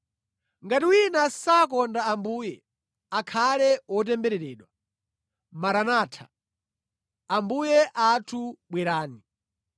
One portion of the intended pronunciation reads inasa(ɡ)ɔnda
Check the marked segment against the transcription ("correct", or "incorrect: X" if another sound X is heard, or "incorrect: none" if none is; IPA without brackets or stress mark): incorrect: k